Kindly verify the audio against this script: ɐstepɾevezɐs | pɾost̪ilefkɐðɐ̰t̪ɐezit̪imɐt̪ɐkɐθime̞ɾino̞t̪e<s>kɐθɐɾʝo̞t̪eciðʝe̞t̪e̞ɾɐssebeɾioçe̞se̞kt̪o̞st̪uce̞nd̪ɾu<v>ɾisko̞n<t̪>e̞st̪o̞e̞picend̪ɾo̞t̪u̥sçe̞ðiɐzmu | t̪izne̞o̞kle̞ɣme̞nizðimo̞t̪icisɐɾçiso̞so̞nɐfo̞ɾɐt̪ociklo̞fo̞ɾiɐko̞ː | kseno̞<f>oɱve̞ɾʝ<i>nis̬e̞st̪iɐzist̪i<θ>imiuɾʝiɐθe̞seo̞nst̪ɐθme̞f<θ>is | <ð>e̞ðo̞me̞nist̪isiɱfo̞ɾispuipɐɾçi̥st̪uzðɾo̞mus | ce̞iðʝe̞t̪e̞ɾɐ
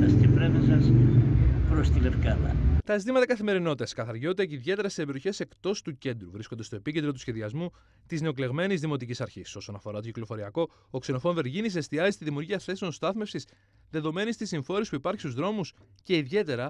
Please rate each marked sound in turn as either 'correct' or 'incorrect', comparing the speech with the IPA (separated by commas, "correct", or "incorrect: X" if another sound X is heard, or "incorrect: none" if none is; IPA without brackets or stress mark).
correct, correct, incorrect: d̪, correct, correct, incorrect: ð, incorrect: s, correct